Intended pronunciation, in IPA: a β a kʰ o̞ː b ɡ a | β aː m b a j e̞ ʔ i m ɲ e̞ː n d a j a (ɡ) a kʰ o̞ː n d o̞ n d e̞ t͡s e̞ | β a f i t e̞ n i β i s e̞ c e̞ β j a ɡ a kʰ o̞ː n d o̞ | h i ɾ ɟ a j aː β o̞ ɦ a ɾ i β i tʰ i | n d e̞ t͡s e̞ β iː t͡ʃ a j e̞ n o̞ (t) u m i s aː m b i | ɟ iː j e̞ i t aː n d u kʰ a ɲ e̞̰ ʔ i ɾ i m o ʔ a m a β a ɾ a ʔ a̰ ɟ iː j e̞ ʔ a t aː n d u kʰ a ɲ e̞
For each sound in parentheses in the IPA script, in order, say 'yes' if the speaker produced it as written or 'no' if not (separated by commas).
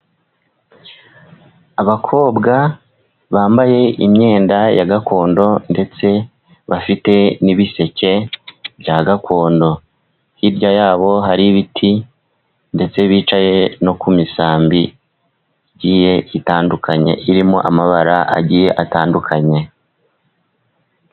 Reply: yes, no